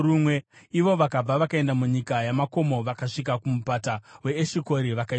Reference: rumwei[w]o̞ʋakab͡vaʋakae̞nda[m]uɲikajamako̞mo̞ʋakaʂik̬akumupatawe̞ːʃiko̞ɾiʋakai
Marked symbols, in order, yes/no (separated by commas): no, yes